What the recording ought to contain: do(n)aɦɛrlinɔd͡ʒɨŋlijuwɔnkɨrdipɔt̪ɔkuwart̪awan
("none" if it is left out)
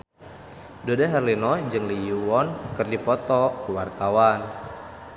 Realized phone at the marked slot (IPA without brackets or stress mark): d